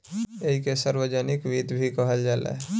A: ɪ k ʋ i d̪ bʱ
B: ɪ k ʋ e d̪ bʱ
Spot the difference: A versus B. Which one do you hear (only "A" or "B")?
A